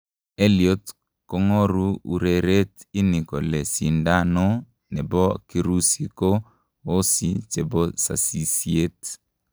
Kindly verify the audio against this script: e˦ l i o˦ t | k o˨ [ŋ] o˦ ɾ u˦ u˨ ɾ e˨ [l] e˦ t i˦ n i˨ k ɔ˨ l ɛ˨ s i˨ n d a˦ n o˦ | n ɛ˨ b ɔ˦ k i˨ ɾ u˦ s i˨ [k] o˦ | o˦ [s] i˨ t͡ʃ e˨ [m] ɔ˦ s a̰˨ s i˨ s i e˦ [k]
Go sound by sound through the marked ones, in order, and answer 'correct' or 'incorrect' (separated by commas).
correct, incorrect, correct, correct, incorrect, incorrect